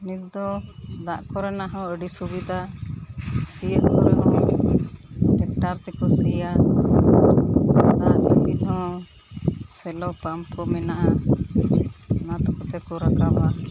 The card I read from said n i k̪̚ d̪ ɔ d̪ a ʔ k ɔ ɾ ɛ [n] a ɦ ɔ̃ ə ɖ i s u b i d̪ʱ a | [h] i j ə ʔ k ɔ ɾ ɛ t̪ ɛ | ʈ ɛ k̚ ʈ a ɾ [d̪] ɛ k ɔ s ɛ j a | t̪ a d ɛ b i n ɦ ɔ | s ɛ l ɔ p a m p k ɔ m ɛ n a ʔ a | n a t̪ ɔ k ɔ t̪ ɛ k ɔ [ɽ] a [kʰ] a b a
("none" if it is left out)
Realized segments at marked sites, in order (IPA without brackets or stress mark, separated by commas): n, s, t̪, ɾ, k